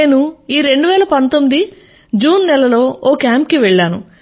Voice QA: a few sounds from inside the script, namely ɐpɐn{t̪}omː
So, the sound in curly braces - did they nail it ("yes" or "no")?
yes